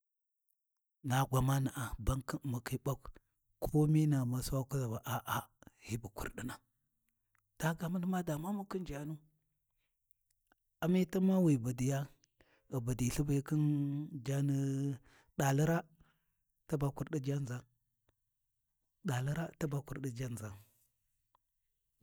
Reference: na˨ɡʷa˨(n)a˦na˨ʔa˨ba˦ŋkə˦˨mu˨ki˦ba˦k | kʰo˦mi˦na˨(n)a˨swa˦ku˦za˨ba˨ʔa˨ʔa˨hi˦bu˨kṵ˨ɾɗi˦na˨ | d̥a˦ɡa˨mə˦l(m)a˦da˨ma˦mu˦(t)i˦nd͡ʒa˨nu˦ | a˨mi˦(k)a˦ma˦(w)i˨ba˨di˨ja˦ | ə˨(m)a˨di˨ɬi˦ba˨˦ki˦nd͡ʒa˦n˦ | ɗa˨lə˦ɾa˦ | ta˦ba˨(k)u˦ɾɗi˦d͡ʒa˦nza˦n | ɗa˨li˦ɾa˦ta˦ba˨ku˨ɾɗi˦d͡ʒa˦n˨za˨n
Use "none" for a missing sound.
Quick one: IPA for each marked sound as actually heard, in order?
m, m, m, k, t, w, b, k

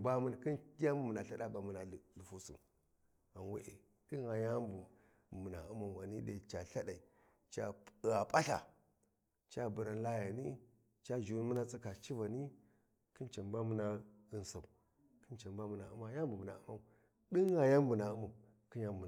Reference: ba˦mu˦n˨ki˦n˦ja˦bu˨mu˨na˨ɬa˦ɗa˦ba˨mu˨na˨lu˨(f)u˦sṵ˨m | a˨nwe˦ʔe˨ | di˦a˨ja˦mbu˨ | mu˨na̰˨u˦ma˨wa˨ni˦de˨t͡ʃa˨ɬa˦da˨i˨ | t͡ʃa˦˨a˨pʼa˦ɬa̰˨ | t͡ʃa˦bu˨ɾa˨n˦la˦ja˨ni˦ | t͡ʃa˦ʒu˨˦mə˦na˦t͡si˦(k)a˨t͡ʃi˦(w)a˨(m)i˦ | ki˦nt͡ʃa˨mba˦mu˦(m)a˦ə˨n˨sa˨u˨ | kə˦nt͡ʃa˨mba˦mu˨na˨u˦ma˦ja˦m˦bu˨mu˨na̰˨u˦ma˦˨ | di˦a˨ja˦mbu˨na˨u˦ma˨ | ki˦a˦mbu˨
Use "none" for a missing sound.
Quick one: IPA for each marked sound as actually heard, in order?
f, k, v, n, n

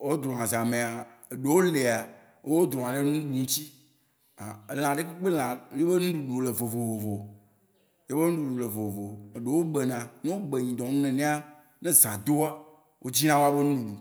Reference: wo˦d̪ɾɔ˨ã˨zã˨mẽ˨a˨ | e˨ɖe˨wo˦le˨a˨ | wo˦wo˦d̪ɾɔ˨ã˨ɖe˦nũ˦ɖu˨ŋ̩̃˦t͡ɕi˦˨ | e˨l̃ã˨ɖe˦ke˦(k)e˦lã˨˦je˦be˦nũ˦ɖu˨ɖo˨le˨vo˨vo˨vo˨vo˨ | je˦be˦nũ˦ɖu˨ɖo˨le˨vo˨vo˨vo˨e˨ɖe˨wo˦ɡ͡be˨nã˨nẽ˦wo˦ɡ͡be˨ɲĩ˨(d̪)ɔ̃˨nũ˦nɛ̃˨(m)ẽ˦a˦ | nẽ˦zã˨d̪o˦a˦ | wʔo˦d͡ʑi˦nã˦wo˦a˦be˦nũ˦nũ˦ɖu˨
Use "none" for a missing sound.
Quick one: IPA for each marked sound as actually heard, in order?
k͡p, d̪, n

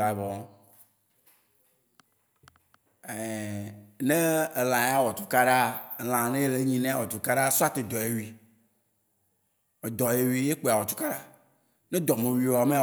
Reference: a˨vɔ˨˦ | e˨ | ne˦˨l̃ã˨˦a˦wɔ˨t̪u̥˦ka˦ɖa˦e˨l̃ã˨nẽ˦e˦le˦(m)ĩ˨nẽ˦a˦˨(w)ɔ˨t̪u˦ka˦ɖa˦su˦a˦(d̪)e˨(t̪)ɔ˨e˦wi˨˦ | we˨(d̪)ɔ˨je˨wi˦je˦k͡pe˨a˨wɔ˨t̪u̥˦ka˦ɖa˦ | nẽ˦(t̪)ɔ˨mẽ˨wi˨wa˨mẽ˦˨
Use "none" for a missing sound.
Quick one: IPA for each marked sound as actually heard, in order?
ɲ, w, t̪, d̪, d̪, d̪

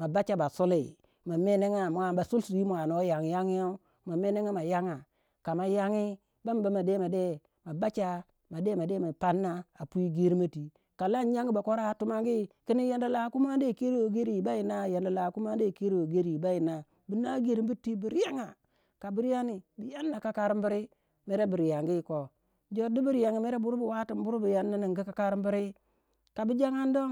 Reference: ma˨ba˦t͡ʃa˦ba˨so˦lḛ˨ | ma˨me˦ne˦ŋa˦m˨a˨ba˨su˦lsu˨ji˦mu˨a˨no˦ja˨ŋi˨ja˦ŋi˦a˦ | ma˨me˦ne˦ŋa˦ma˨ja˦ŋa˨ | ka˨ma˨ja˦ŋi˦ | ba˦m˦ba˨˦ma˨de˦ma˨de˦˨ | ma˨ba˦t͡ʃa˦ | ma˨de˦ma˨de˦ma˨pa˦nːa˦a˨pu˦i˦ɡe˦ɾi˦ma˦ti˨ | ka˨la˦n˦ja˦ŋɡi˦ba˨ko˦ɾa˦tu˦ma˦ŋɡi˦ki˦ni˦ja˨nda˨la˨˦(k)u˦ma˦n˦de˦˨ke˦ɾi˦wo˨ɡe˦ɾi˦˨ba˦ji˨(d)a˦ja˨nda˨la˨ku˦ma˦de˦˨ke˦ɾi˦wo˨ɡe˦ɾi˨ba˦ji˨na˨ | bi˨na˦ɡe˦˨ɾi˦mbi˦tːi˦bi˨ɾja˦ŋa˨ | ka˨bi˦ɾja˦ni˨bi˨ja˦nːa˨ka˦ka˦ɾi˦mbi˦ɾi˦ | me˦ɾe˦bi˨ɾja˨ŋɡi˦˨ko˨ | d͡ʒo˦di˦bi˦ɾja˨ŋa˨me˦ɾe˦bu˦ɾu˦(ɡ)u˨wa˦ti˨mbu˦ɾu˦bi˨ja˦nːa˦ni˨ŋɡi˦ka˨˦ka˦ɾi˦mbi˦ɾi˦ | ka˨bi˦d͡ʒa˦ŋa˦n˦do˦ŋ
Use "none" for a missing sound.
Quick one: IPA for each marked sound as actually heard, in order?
k, n, b

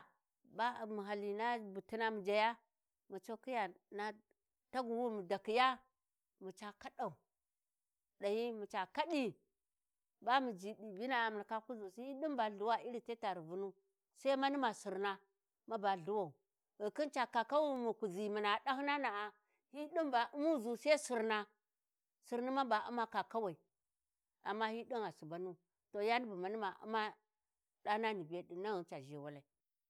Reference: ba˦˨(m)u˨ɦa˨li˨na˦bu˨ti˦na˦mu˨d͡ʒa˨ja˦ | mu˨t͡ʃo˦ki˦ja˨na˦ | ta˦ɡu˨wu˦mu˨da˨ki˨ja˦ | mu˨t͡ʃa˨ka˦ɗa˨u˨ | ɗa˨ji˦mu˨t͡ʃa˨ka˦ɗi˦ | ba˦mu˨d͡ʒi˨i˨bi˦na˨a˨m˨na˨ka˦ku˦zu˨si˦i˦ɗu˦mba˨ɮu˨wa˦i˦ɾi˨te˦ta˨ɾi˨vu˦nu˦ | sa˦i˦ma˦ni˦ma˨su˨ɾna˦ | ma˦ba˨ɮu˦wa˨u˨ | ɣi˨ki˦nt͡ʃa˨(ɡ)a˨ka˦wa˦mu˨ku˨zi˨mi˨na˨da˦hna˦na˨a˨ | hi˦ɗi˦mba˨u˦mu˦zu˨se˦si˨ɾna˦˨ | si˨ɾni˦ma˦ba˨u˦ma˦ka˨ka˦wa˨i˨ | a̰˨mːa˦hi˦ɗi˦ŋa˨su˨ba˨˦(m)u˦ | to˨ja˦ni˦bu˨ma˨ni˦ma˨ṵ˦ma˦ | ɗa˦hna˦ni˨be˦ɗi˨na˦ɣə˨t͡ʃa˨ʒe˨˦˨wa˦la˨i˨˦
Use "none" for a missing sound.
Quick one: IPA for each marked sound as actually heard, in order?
m, k, n

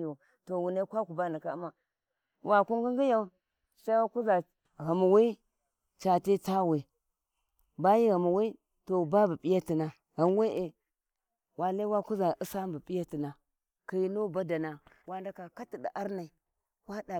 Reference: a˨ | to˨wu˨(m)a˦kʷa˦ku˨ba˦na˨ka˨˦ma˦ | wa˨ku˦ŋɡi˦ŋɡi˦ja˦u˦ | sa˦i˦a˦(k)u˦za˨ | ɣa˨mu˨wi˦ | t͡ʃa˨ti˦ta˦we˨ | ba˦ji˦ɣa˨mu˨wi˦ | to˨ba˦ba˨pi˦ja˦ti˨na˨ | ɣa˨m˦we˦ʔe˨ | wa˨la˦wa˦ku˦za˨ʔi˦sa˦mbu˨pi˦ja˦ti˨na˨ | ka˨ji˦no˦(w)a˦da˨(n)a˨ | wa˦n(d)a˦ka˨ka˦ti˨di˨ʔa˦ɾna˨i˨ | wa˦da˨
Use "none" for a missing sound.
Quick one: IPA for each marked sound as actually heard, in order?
n, k, b, n, d

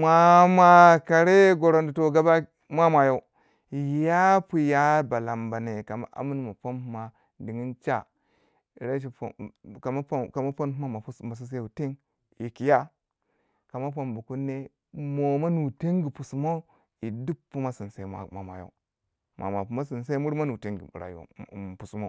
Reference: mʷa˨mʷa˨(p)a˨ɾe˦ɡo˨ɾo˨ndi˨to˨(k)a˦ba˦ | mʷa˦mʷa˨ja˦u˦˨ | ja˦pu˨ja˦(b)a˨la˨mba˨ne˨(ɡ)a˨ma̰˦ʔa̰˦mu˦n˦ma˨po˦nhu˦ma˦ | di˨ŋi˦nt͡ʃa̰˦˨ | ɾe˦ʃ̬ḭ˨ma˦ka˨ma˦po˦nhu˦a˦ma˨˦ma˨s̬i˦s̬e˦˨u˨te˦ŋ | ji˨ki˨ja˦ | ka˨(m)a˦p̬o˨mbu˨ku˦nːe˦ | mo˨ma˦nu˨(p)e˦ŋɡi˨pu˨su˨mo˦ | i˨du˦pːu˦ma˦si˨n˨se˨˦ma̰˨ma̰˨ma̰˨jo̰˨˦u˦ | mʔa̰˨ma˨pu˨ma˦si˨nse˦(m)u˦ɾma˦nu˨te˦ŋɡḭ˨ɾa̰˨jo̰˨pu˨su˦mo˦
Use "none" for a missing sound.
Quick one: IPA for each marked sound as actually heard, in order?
k, ɡ, b, k, m, t, m

